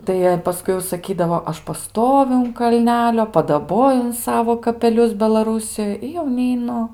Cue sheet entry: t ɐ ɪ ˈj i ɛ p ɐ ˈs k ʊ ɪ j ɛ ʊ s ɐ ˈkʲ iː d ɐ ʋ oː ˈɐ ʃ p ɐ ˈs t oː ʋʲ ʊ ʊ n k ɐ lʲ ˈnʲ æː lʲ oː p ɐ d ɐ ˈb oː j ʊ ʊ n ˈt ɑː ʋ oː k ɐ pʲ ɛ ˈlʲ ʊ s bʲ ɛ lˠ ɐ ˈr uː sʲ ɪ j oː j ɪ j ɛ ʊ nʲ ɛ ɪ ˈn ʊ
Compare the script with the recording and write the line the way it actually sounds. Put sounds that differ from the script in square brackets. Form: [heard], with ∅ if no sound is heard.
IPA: t ɐ ɪ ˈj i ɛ p ɐ ˈs k ʊ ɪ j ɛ ʊ s ɐ ˈkʲ iː d ɐ ʋ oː ˈɐ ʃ p ɐ ˈs t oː ʋʲ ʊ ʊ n k ɐ lʲ ˈnʲ æː lʲ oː p ɐ d ɐ ˈb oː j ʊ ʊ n [ˈs] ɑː ʋ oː k ɐ pʲ ɛ ˈlʲ ʊ s bʲ ɛ lˠ ɐ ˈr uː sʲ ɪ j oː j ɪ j ɛ ʊ nʲ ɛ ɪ ˈn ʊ

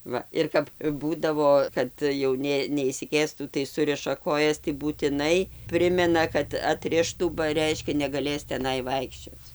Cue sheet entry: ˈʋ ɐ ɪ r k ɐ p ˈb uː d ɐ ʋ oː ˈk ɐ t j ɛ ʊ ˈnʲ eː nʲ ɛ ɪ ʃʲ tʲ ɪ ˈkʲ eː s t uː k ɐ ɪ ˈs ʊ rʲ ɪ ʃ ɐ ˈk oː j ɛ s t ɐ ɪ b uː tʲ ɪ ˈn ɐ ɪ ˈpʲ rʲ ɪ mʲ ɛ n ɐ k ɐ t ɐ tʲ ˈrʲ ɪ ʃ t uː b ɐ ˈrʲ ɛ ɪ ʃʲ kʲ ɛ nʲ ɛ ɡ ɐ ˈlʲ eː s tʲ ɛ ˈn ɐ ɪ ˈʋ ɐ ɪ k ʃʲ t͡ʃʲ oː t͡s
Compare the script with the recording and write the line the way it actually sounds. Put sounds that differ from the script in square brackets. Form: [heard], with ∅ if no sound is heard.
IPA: ˈʋ ɐ ɪ r k ɐ p ˈb uː d ɐ ʋ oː ˈk ɐ t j ɛ ʊ ˈnʲ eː nʲ ɛ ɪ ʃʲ [sʲ] ɪ ˈkʲ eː s t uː [t] ɐ ɪ ˈs ʊ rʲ ɪ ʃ ɐ ˈk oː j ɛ s t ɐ ɪ b uː tʲ ɪ ˈn ɐ ɪ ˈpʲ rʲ ɪ mʲ ɛ n ɐ k ɐ t ɐ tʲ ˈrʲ ɪ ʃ t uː b ɐ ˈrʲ ɛ ɪ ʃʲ kʲ ɛ nʲ ɛ ɡ ɐ ˈlʲ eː s tʲ ɛ ˈn ɐ ɪ ˈʋ ɐ ɪ k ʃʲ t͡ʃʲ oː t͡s

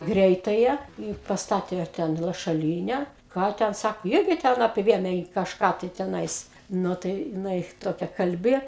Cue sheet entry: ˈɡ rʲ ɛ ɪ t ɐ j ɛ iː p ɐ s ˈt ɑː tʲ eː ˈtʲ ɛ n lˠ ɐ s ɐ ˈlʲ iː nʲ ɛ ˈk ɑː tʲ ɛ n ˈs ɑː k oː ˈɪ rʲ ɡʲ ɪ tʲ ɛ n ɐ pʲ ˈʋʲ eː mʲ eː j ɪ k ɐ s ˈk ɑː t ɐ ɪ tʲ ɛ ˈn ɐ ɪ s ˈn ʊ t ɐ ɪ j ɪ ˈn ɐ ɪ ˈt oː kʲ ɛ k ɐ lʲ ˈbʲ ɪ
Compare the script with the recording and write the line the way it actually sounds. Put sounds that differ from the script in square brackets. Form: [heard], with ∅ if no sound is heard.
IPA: ˈɡ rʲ ɛ ɪ t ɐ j ɛ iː p ɐ s ˈt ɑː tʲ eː ˈtʲ ɛ n lˠ ɐ [ʃ] ɐ ˈlʲ iː nʲ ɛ ˈk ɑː tʲ ɛ n ˈs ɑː k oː ˈɪ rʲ ɡʲ ɪ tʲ ɛ n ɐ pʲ ˈʋʲ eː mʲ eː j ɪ k ɐ [ʃ] ˈk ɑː t ɐ ɪ tʲ ɛ ˈn ɐ ɪ s ˈn ʊ t ɐ ɪ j ɪ ˈn ɐ ɪ ˈt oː kʲ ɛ k ɐ lʲ ˈbʲ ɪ

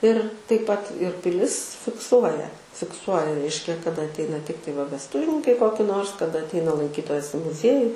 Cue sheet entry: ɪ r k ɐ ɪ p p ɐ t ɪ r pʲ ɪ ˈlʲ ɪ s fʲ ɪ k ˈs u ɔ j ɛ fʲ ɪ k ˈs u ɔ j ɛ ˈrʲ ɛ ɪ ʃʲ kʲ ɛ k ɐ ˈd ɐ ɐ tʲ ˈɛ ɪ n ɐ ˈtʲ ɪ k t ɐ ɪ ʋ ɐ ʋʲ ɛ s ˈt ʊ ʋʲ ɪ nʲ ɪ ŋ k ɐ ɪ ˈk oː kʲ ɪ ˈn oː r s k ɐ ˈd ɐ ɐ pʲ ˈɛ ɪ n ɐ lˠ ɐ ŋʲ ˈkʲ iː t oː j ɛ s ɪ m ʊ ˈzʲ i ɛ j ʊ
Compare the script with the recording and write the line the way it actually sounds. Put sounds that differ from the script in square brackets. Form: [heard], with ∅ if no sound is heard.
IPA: ɪ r [t] ɐ ɪ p p ɐ t ɪ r pʲ ɪ ˈlʲ ɪ s fʲ ɪ k ˈs u ɔ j ɛ fʲ ɪ k ˈs u ɔ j ɛ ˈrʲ ɛ ɪ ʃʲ kʲ ɛ k ɐ ˈd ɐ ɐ tʲ ˈɛ ɪ n ɐ ˈtʲ ɪ k t ɐ ɪ ʋ ɐ ʋʲ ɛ s ˈt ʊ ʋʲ ɪ nʲ ɪ ŋ k ɐ ɪ ˈk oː kʲ ɪ ˈn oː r s k ɐ ˈd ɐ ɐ [tʲ] ˈɛ ɪ n ɐ lˠ ɐ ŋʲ ˈkʲ iː t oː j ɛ s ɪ m ʊ ˈzʲ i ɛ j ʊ

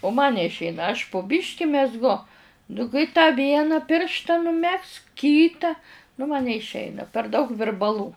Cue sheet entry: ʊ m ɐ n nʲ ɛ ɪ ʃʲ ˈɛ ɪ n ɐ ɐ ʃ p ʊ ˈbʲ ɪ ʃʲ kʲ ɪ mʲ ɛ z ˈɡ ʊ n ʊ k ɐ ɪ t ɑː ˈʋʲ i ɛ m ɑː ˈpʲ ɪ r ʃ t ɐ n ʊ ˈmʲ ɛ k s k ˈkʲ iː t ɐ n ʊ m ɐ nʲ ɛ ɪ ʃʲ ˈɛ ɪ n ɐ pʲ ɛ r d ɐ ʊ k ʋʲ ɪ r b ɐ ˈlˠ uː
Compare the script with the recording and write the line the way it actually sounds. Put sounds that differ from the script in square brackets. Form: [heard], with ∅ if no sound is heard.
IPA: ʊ m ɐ n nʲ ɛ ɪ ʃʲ ˈɛ ɪ n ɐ ɐ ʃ p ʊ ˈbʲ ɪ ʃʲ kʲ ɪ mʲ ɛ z ˈɡ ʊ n ʊ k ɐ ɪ t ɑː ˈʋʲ i ɛ [n] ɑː ˈpʲ ɪ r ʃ t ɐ n ʊ ˈmʲ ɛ k s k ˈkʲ iː t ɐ n ʊ m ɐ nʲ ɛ ɪ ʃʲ ˈɛ ɪ n ɐ pʲ ɛ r d ɐ ʊ k ʋʲ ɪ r b ɐ ˈlˠ uː

